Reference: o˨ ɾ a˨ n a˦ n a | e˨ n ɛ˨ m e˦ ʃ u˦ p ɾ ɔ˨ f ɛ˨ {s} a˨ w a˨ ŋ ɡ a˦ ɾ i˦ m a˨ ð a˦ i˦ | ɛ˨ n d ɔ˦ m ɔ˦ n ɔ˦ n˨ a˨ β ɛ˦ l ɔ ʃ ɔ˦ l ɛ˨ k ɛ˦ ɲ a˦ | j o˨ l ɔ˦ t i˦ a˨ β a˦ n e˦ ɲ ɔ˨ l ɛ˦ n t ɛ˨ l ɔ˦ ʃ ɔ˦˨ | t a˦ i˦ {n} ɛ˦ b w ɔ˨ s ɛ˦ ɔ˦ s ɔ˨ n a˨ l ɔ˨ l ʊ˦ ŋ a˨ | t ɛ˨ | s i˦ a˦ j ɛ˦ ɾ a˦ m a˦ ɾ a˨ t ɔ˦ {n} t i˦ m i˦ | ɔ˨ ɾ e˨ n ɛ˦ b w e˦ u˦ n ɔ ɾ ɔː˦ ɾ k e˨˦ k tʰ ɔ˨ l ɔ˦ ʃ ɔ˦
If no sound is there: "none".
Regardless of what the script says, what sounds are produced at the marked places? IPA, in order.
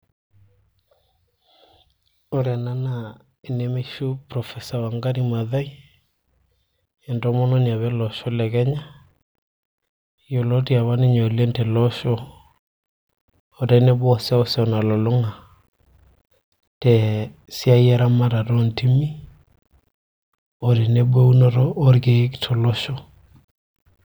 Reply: s, n, n

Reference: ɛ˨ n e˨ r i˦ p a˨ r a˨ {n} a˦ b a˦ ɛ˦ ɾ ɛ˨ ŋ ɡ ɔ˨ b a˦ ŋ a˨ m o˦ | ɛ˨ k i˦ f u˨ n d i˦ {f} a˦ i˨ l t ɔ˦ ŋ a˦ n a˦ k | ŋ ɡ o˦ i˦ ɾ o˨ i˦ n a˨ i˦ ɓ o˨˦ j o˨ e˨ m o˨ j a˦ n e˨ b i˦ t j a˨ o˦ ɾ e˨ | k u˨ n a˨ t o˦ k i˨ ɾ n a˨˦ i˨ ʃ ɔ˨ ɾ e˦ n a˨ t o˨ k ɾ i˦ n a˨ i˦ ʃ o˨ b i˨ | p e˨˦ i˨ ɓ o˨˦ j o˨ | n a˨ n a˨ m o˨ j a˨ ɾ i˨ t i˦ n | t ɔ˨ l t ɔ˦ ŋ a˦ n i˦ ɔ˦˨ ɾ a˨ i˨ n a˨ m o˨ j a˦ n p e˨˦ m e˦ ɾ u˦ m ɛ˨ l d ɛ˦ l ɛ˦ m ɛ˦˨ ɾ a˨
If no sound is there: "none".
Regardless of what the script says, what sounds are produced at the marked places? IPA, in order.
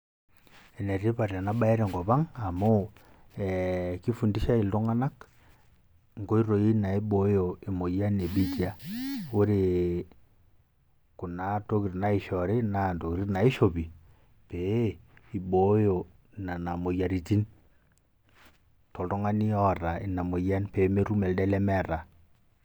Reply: n, ʃ

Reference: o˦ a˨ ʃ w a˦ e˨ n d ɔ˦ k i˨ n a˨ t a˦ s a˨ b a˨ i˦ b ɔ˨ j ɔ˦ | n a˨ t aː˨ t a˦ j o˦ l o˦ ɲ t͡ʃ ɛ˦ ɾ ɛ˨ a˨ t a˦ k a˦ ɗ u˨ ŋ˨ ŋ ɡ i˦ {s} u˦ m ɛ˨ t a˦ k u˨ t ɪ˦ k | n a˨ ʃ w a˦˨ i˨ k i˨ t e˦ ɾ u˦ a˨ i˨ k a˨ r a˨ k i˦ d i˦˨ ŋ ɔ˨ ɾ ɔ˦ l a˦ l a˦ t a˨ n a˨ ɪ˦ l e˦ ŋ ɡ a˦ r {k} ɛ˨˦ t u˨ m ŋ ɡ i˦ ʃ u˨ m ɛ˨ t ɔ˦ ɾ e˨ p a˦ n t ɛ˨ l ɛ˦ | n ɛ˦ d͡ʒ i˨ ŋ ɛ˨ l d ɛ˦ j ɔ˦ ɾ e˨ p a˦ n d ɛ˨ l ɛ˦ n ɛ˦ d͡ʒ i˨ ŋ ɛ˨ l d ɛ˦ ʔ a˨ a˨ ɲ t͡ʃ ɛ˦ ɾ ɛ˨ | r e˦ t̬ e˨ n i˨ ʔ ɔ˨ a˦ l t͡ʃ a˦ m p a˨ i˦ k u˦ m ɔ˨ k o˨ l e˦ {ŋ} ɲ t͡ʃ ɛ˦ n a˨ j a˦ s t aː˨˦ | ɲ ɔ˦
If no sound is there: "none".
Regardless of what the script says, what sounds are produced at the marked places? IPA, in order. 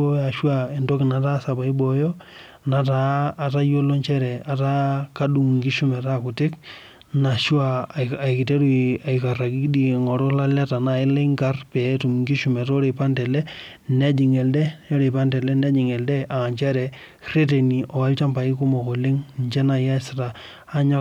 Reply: ʃ, p, ŋ

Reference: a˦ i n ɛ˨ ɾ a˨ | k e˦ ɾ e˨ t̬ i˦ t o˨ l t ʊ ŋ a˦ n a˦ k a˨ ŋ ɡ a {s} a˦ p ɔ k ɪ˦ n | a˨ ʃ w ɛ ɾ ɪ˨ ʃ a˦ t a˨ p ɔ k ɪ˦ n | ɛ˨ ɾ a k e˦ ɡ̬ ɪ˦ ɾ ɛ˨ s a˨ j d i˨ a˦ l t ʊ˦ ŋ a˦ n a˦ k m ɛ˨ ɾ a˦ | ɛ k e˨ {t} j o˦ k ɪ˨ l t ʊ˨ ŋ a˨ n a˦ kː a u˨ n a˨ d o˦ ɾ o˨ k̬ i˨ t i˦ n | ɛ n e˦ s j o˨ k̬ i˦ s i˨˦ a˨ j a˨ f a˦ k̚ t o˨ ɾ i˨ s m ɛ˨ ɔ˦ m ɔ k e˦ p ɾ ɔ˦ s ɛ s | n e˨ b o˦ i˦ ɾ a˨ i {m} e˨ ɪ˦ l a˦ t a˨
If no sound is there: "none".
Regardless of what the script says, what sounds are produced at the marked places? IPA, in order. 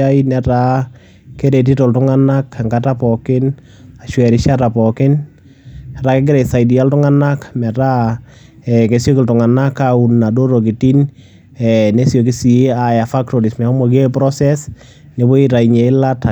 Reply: t, s, ɲ

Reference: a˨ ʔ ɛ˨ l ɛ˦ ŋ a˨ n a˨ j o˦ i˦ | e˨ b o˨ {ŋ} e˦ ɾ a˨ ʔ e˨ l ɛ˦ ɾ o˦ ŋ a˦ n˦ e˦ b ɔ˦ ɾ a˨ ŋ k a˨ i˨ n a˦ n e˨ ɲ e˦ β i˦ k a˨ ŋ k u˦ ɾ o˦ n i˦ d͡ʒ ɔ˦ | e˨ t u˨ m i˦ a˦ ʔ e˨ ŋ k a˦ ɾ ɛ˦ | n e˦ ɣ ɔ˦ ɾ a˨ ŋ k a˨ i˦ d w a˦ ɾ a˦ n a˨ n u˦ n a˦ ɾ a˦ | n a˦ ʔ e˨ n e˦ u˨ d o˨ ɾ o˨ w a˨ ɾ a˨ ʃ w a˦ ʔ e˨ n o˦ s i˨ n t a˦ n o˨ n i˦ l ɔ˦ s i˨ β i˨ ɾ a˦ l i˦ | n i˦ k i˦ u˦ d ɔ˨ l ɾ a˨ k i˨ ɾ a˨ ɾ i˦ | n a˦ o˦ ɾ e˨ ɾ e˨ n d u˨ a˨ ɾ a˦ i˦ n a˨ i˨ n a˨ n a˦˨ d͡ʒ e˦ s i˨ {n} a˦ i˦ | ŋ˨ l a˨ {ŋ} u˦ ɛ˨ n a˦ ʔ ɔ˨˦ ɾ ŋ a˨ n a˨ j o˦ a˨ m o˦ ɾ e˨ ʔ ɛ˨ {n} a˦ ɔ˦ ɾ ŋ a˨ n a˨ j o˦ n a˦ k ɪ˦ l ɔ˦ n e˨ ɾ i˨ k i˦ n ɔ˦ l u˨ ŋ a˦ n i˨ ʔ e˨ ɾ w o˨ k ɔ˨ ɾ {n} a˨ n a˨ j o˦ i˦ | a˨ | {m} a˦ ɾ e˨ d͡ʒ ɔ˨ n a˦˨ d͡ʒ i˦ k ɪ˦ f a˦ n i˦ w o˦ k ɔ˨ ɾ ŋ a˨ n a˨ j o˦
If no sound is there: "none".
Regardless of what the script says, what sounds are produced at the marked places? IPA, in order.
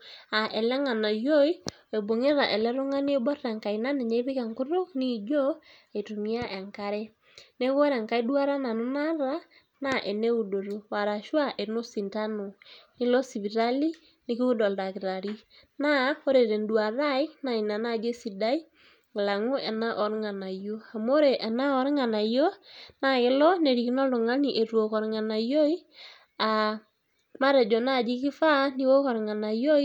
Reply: ŋ, d, ŋ, n, ŋ, m

